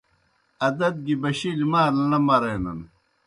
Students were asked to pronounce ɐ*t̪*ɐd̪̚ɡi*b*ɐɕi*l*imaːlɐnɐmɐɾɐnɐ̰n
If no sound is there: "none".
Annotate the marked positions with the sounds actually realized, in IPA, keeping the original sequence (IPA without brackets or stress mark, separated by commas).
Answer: d̪, b, l